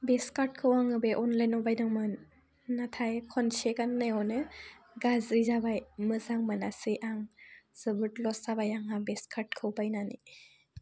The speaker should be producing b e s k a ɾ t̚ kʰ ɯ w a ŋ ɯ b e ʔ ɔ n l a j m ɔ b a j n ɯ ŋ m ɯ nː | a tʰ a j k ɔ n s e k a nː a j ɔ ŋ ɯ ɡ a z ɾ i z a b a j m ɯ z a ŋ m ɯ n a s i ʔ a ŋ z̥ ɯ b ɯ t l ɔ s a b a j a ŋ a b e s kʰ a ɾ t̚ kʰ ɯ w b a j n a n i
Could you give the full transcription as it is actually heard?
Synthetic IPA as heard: b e s k a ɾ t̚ kʰ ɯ w a ŋ ɯ b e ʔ ɔ n l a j n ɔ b a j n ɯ ŋ m ɯ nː | a tʰ a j kʰ ɔ n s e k a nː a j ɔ n ɯ ɡ a z ɾ i z a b a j m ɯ z a ŋ m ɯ n a s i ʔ a ŋ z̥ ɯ b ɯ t l ɔ s a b a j a ŋ a b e s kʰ a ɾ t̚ kʰ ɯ w b a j n a n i